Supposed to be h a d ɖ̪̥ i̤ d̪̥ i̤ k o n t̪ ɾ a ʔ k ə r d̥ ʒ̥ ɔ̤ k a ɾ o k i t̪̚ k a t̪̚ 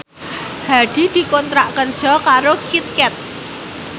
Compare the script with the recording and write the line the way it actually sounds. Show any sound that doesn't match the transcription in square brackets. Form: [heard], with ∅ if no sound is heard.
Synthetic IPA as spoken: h a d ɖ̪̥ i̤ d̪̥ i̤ k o n t̪ ɾ a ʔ k ə r d̥ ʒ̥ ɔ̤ k a ɾ o k i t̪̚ k [ɛ] t̪̚